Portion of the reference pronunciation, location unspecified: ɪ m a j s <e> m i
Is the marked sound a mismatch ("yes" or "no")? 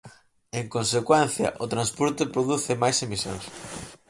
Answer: no